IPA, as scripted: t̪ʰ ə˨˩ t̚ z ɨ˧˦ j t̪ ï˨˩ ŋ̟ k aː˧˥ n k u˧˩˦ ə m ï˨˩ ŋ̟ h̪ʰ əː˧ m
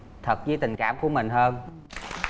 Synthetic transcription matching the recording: t̪ʰ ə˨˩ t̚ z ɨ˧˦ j t̪ ï˨˩ ŋ̟ k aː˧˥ m k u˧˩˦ ə m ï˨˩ ŋ̟ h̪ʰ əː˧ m

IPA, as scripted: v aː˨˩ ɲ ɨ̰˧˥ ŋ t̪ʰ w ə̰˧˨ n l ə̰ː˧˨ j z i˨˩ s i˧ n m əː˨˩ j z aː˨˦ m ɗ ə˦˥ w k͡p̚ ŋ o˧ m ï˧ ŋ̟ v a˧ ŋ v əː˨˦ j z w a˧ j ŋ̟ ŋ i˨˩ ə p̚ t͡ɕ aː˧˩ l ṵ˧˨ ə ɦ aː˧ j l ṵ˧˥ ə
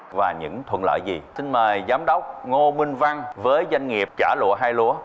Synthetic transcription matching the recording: v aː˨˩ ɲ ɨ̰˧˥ ŋ t̪ʰ w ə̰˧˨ n l ə̰ː˧˨ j z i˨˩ s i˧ n m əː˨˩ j z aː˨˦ m ɗ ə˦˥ w k͡p̚ ŋ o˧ m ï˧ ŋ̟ v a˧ ŋ v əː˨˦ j z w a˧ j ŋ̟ ŋ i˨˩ ə p̚ t͡ɕ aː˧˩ l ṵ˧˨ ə ɦ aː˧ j l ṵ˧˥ ə

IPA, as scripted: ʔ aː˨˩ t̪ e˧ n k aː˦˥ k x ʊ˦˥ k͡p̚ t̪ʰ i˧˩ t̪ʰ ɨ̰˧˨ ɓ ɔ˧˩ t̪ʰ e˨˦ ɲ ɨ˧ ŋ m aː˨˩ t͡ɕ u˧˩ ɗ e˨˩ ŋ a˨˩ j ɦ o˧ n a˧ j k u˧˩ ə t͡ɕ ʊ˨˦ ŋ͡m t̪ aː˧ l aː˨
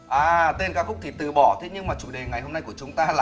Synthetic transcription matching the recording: ʔ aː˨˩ t̪ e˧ n k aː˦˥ k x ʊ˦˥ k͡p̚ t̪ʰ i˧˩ t̪ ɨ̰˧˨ ɓ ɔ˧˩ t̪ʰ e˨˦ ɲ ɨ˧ ŋ m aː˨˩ t͡ɕ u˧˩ ɗ e˨˩ ŋ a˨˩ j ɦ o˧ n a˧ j k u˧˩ ə t͡ɕ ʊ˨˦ ŋ͡m t̪ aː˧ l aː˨

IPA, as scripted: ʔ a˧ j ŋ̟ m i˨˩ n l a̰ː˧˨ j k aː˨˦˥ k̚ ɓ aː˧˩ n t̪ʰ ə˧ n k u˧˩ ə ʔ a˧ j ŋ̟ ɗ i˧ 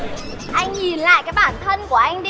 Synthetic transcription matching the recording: ʔ a˧ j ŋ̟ ɲ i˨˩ n l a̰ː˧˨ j k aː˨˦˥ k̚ ɓ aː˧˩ n t̪ʰ ə˧ n k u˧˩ ə ʔ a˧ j ŋ̟ ɗ i˧

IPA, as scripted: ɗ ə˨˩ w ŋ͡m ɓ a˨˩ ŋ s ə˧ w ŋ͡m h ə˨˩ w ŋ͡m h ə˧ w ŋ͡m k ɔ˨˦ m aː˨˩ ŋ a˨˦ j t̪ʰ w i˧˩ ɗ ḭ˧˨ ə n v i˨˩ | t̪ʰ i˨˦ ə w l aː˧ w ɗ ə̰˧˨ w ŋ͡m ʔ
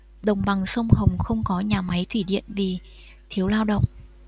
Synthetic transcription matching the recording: ɗ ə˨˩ w ŋ͡m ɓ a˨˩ ŋ s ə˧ w ŋ͡m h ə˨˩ w ŋ͡m x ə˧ w ŋ͡m k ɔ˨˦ ɲ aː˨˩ m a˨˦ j t̪ʰ w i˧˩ ɗ ḭ˧˨ ə n v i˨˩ | t̪ʰ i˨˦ ə w l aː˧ w ɗ ə̰˧˨ w ŋ͡m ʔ

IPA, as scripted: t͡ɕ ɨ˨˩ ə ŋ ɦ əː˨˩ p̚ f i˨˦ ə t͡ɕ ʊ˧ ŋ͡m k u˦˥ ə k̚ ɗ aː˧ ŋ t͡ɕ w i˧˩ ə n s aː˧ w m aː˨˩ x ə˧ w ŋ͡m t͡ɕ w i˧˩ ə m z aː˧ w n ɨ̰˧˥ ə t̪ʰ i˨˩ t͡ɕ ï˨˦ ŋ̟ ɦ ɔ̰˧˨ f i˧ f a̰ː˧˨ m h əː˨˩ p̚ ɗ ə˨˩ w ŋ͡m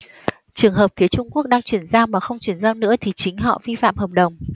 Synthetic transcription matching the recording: t͡ɕ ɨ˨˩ ə ŋ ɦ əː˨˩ p̚ f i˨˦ ə t͡ɕ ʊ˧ ŋ͡m k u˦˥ ə k̚ ɗ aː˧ ŋ t͡ɕ w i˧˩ ə n z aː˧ w m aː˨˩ x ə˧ w ŋ͡m t͡ɕ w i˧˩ ə n z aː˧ w n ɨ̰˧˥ ə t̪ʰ i˨˩ t͡ɕ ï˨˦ ŋ̟ ɦ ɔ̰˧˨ v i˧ f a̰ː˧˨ m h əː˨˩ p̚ ɗ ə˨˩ w ŋ͡m

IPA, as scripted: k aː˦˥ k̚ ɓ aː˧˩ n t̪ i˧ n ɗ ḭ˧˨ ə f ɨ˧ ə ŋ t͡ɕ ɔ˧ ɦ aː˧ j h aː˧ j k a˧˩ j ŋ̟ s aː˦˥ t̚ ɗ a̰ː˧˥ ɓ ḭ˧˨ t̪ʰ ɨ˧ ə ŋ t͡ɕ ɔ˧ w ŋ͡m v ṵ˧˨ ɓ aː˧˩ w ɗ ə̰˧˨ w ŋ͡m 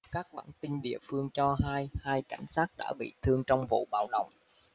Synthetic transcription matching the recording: k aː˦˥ k̚ ɓ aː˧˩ n t̪ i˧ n ɗ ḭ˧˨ ə f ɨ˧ ə ŋ t͡ɕ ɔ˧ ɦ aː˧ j h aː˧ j k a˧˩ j ŋ̟ s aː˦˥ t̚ ɗ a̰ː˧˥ ɓ ḭ˧˨ t̪ʰ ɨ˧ ə ŋ t͡ɕ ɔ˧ w ŋ͡m v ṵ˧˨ ɓ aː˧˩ w ɗ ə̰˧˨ w ŋ͡m

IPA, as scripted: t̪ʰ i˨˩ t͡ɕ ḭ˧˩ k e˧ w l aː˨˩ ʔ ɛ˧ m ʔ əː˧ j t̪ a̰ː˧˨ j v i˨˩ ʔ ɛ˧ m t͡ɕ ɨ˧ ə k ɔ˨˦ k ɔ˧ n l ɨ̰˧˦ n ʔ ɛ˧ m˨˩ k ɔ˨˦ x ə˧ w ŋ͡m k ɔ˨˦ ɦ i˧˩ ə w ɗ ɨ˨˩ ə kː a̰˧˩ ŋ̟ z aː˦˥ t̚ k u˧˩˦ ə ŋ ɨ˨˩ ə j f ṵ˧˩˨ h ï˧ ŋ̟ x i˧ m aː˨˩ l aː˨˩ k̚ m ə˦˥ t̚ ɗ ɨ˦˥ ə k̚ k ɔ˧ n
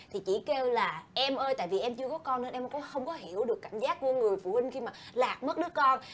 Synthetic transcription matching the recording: t̪ʰ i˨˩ t͡ɕ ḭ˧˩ k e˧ w l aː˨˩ ʔ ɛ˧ m ʔ əː˧ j t̪ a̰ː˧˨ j v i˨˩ ʔ ɛ˧ m t͡ɕ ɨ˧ ə k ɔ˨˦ k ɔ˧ n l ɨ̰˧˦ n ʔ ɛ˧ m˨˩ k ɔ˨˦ x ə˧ w ŋ͡m k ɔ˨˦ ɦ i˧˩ ə w ɗ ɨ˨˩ ə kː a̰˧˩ ŋ̟ z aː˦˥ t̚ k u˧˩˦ ə ŋ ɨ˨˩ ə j f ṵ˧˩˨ h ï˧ ŋ̟ x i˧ m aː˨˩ l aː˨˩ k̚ m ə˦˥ t̚ ɗ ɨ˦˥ ə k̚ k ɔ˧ n

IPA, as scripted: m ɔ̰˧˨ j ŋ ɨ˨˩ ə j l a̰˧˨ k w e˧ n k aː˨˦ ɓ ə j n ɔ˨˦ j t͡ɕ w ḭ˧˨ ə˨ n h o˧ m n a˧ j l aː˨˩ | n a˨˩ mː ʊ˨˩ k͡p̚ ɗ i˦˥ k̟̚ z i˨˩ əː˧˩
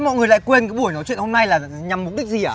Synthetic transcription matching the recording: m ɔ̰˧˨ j ŋ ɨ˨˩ ə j l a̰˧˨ k w e˧ n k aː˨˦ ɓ ə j n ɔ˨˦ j t͡ɕ w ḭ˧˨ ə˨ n h o˧ m n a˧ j l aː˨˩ | ɲ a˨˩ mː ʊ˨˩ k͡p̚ ɗ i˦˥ k̟̚ z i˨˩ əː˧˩

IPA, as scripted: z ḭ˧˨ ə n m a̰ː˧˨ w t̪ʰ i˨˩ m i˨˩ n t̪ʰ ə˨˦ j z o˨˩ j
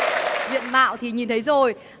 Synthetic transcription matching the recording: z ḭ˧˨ ə n m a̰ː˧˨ w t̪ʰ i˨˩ ɲ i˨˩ n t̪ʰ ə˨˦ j z o˨˩ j

